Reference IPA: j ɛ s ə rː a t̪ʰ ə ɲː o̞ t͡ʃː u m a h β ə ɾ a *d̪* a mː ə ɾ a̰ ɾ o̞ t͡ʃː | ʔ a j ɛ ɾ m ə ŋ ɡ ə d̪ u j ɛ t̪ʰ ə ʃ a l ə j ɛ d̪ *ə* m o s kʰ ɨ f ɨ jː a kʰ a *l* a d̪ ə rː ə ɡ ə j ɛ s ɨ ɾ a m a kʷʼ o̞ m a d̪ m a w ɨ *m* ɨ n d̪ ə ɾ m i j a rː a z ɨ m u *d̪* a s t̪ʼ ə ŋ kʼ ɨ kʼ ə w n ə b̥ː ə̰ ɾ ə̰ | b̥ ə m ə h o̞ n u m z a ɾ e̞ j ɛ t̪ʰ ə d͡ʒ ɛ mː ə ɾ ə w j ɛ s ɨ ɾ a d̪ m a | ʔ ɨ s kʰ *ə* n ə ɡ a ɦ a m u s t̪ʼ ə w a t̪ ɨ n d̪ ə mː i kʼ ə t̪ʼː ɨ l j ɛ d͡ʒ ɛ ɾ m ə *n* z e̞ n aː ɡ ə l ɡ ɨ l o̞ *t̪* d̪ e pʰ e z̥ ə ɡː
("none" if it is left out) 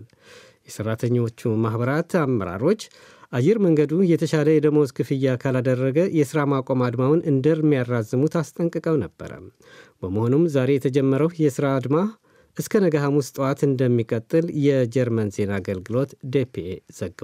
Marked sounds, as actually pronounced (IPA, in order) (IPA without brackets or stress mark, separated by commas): t̪, ə, l, n, t̪, ə, n, t̪